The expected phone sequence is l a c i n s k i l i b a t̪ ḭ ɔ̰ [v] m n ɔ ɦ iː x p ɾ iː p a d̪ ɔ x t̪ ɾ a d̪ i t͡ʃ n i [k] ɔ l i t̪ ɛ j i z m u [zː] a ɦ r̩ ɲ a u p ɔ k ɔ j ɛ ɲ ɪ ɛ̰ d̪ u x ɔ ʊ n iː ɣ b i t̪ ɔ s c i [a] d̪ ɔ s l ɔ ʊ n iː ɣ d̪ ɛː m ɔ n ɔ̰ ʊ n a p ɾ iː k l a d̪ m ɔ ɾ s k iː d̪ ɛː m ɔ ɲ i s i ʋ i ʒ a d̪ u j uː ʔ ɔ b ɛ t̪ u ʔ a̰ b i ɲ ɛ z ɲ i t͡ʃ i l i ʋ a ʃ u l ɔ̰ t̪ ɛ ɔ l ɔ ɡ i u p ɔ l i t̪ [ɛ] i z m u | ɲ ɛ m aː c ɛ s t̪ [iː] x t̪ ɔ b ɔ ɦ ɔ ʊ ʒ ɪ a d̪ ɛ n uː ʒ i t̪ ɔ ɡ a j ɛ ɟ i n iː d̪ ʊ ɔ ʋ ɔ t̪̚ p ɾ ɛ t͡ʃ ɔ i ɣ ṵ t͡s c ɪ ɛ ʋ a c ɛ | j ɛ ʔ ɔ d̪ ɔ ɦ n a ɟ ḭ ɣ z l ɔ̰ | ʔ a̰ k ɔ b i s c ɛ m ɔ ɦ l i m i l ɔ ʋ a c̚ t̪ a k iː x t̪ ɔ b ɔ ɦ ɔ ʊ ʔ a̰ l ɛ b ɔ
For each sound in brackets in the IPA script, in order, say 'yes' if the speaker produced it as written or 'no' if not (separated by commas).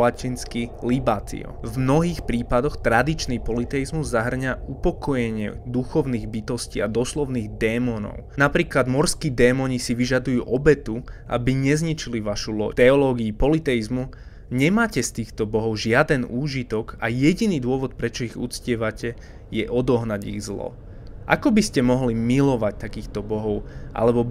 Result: yes, no, yes, yes, yes, yes